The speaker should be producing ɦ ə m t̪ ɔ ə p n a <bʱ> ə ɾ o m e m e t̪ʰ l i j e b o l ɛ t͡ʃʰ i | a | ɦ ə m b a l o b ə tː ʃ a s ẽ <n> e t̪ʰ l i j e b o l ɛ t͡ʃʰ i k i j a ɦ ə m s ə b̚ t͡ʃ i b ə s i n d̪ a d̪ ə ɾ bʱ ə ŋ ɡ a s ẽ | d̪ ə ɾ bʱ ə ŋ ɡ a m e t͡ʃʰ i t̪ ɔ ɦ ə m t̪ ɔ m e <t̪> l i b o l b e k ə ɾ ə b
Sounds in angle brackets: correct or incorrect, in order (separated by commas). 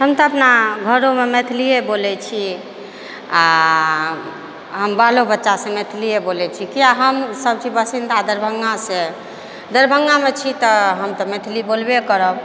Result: incorrect, incorrect, incorrect